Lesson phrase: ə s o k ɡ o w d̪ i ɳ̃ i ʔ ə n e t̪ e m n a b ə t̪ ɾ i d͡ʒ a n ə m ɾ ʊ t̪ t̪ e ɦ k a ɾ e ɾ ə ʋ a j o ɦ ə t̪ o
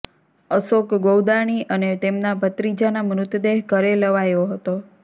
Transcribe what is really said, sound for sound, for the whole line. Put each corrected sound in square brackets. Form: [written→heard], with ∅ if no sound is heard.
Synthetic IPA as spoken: ə s o k ɡ o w d̪ [i→a] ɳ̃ i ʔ ə n e t̪ e m n a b ə t̪ ɾ i d͡ʒ a n [ə→a] m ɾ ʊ t̪ [t̪→d̪] e ɦ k [a→ə] ɾ e [ɾ→l] ə ʋ a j o ɦ ə t̪ o